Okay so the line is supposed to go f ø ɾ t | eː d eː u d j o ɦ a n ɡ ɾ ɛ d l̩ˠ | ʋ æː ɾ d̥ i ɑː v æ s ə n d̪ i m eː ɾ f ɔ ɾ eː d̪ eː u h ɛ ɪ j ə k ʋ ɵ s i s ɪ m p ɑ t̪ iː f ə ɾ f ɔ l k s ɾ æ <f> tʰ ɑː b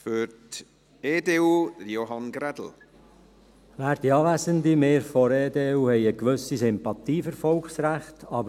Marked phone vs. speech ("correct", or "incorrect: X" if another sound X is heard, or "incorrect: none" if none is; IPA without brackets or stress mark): incorrect: χ